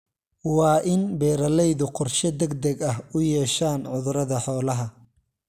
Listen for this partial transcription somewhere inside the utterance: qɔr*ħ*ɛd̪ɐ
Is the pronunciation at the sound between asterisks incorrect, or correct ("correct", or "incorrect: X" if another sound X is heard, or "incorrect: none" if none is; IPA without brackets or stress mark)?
incorrect: ʃ